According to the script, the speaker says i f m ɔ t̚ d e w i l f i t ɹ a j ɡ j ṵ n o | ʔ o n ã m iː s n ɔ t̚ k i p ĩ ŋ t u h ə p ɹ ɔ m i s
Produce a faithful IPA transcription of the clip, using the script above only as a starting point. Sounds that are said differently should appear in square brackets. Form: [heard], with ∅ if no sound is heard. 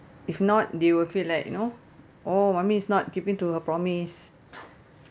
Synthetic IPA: i f [n] ɔ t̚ d e w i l f i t [l] a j [k] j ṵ n o | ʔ o [m] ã m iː s n ɔ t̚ k i p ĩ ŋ t u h ə p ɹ ɔ m i s